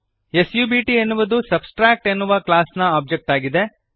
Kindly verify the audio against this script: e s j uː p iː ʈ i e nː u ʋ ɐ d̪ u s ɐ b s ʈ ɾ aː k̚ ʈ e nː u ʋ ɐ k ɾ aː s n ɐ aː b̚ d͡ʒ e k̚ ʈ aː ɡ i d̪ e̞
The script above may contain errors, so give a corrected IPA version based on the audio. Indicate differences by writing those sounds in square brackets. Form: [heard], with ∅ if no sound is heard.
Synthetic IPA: e s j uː [b] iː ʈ i e nː u ʋ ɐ d̪ u s ɐ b s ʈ ɾ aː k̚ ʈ e nː u ʋ ɐ k [l] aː s n ɐ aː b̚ d͡ʒ e k̚ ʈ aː ɡ i d̪ e̞